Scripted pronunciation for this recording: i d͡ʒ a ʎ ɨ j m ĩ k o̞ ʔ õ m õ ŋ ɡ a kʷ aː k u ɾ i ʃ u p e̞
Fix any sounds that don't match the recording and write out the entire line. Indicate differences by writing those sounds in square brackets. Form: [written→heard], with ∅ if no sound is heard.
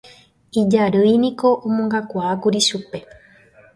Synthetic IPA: i d͡ʒ a [ʎ→ɾ] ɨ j [m→n] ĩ k o̞ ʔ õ m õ ŋ ɡ a kʷ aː k u ɾ i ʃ u p e̞